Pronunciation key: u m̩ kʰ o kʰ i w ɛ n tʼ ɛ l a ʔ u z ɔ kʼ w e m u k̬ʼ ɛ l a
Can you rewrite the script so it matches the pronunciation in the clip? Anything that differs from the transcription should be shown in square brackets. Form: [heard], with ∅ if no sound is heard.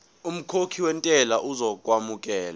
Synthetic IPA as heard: u m̩ kʰ o kʰ i w ɛ n tʼ ɛ l a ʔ u z ɔ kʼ w [a] m u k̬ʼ [ɛː] l a